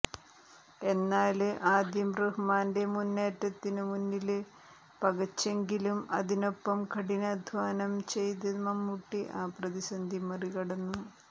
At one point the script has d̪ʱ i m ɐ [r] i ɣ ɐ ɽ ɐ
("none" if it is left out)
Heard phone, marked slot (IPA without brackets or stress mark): r